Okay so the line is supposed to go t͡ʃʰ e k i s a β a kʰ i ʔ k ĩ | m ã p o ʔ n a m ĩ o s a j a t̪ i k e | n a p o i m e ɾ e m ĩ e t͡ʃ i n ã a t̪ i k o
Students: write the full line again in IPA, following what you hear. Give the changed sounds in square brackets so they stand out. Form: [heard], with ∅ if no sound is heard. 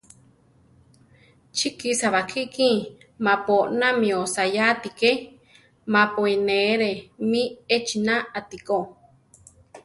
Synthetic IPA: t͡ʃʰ [i] k i s a β a kʰ i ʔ k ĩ | m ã p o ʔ n a m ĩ o s a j a t̪ i k e | [m] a p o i [n] e ɾ e m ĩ e t͡ʃ i n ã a t̪ i k o

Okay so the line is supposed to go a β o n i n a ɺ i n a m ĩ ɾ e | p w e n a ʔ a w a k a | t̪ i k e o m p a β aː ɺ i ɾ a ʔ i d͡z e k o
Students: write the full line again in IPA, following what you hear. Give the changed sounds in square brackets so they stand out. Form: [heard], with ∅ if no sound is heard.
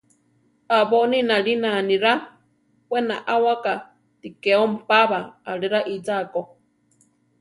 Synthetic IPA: a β o n i n a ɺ i n a [n] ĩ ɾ [a] | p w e n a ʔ a w a k a | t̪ i k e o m p a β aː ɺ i ɾ a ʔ i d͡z [a] k o

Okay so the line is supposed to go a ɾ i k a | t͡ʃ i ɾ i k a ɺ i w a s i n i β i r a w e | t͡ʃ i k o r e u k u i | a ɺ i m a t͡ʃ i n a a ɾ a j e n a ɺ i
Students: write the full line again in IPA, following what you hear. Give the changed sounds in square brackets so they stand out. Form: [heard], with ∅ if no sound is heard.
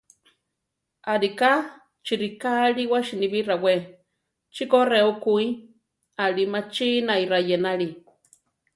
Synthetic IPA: a ɾ i k a | t͡ʃ i ɾ i k a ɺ i w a [ʃ] i n i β i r a w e | t͡ʃ i k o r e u k u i | a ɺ i m a t͡ʃ i n a [i] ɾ a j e n a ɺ i

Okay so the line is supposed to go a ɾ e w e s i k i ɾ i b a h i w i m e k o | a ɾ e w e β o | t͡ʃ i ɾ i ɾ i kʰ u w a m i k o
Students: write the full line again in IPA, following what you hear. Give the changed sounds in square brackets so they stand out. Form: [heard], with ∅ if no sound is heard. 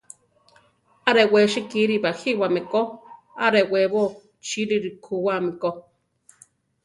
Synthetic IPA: a ɾ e w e [ʃ] i k i ɾ i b a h i w [a] m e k o | a ɾ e w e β o | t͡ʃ i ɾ i ɾ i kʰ u w a m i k o

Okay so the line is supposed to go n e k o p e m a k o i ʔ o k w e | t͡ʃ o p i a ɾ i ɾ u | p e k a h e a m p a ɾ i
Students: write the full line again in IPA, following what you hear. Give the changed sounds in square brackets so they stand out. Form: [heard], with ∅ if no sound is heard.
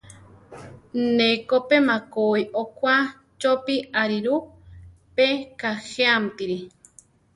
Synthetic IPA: n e k o p e m a k o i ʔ o k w [a] | t͡ʃ o p i a ɾ i ɾ u | p e k a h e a m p [i] ɾ i

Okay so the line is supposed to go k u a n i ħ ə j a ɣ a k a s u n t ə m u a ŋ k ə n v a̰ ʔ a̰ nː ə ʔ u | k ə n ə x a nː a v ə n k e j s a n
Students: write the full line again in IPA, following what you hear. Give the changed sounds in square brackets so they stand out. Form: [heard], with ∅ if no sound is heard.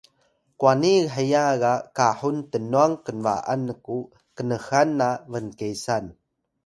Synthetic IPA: k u a n i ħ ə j a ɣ a k a [ħ] u n t ə [n] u a ŋ k ə n v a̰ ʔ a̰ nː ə [k] u | k ə n ə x a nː a v ə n k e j s a n

